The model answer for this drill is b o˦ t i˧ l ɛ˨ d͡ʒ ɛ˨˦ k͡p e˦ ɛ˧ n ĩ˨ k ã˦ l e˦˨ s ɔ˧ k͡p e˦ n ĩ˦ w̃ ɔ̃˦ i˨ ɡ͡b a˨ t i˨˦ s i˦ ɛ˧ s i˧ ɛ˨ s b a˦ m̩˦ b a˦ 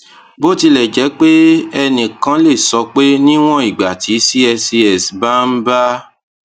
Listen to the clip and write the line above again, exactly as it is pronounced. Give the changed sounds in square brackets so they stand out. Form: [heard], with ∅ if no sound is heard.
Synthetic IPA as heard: b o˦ t i˧ l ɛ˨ d͡ʒ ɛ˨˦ k͡p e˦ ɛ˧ n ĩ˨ k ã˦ l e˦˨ s ɔ˧ k͡p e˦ n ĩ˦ w̃ ɔ̃˦ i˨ ɡ͡b a˨ t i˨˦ s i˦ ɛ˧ s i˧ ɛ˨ s b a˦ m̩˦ b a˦